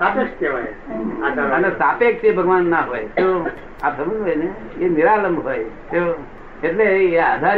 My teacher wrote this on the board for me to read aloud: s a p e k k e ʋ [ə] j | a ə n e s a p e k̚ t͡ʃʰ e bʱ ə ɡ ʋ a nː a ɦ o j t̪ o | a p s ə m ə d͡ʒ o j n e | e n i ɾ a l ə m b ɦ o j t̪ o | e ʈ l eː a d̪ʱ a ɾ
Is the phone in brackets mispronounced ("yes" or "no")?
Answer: yes